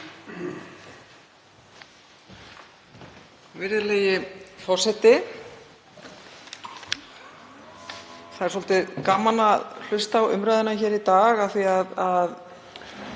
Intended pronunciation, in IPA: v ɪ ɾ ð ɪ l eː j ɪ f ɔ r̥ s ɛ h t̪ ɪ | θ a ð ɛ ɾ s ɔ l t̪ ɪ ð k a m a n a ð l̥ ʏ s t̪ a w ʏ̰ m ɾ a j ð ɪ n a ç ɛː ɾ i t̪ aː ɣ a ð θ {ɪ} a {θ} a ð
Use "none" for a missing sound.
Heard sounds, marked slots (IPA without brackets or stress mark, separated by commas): i, ð